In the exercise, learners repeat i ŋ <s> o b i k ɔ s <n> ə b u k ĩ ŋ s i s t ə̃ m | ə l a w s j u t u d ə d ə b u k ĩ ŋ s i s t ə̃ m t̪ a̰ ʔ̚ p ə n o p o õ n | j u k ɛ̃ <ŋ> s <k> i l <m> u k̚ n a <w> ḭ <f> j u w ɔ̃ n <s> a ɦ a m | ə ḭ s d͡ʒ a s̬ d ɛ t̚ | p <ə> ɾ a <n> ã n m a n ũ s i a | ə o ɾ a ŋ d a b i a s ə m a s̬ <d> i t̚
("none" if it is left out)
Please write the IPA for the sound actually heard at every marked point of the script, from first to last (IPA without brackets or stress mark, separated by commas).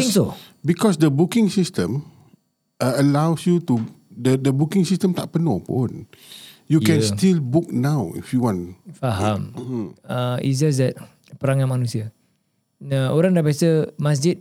s, d, n, t, b, w, f, f, ə, ŋ, d͡ʒ